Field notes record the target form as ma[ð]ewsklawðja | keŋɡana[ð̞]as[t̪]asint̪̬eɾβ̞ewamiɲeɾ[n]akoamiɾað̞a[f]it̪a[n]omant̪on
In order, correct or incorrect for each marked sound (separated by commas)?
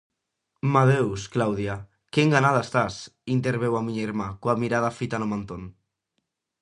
correct, correct, correct, incorrect, correct, correct